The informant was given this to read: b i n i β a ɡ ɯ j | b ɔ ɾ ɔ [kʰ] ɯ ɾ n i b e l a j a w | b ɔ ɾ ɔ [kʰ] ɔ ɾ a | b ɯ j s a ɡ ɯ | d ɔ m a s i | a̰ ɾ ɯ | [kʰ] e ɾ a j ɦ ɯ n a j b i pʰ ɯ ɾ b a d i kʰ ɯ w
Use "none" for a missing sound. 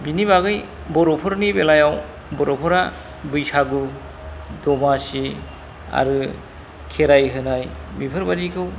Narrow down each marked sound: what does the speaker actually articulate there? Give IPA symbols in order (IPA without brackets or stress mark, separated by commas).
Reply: pʰ, pʰ, kʰ